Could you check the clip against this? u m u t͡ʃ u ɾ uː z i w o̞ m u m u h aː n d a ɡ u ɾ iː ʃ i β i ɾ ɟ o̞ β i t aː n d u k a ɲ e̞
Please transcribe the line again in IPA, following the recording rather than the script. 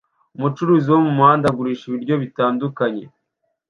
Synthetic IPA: u m u t͡ʃ u ɾ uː z i w o̞ m u m u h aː n d a ɡ u ɾ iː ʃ i β i ɾ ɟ o̞ β i t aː n d u k a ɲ e̞